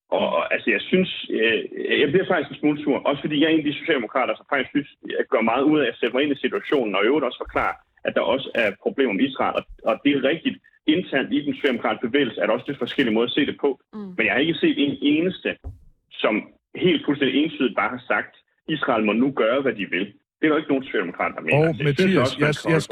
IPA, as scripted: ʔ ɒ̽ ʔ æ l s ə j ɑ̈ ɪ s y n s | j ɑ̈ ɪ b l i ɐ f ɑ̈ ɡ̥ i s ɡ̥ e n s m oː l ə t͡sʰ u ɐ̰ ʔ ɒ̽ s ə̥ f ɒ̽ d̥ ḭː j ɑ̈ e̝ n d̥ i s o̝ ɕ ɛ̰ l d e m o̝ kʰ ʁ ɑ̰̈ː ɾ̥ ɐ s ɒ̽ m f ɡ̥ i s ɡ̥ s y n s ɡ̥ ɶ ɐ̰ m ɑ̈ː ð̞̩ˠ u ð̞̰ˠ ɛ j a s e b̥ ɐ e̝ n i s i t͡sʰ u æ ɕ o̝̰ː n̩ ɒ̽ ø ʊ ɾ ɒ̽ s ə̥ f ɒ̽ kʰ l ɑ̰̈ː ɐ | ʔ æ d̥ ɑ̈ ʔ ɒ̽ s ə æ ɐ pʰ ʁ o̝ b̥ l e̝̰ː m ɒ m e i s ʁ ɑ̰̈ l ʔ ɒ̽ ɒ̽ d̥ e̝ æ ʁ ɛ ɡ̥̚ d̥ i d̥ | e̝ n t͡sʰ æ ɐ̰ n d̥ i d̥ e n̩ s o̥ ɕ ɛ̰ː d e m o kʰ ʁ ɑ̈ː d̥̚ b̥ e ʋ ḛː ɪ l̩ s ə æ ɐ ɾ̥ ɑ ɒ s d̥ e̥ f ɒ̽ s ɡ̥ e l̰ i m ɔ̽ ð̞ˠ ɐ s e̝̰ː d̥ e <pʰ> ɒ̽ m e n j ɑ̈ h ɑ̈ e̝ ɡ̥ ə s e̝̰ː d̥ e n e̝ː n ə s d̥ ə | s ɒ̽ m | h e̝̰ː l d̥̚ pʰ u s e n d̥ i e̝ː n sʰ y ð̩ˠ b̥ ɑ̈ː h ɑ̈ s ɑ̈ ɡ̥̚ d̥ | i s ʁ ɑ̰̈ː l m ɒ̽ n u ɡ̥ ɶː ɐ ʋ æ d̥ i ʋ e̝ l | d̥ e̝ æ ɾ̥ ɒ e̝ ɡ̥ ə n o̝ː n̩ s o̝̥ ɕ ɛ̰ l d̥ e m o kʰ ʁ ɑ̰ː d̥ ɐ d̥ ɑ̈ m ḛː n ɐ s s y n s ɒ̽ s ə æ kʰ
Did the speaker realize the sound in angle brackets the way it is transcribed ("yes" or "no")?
yes